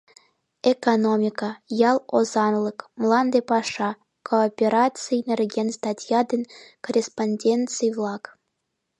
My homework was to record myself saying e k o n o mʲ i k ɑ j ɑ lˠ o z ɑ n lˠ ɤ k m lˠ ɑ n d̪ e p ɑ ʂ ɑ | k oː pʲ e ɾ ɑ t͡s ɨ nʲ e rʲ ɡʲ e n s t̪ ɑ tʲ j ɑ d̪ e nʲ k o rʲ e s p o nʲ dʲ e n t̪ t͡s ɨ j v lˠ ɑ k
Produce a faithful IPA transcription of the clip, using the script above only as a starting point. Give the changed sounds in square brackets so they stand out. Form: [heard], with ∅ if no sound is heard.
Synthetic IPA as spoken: e k o n o mʲ i k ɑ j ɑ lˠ o z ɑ n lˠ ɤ k m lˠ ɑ n d̪ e p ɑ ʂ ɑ | k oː pʲ e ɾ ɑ t͡s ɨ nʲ e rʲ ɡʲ e n s t̪ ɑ tʲ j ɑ d̪ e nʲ k o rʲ e s p o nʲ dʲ e n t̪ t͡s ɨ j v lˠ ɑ k